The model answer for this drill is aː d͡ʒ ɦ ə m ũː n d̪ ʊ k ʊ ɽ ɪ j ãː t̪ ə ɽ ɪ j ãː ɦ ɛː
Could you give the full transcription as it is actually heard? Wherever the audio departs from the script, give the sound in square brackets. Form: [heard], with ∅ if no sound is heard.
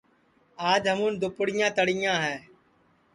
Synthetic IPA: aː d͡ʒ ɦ ə m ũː n d̪ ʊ [p] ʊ ɽ ɪ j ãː t̪ ə ɽ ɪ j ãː ɦ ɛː